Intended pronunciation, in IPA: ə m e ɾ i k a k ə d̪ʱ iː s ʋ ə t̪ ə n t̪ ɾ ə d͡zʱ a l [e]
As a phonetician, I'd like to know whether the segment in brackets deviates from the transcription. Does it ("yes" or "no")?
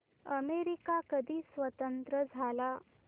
yes